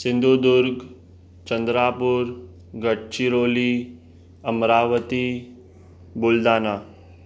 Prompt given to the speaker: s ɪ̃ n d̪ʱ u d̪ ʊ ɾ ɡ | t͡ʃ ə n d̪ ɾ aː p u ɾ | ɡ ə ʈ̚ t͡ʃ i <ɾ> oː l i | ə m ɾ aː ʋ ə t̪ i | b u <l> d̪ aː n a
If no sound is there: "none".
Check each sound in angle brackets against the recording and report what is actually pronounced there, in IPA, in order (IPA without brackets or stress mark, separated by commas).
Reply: ɾ, l